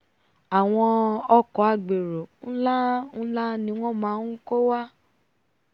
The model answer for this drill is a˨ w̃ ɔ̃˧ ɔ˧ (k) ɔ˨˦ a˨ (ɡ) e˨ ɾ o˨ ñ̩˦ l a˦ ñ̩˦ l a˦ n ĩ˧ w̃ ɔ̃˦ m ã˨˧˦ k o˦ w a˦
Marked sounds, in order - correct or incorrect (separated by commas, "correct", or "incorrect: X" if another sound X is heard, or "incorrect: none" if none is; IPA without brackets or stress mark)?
correct, incorrect: ɡ͡b